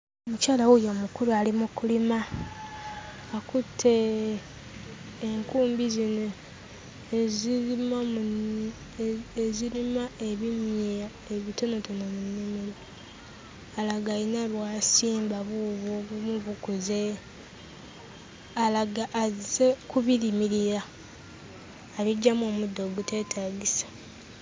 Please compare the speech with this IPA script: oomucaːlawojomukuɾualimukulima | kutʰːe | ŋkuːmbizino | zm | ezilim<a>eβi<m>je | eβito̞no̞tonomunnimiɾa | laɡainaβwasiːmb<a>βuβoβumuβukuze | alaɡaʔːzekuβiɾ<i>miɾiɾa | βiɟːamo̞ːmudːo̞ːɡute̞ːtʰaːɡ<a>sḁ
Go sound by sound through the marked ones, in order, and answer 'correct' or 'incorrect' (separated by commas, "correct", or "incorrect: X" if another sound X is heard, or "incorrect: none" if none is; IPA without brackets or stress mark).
correct, correct, correct, correct, incorrect: i